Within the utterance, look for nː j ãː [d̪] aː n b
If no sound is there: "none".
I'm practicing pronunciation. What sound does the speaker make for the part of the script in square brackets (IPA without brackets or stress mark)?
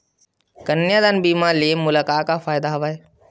d̪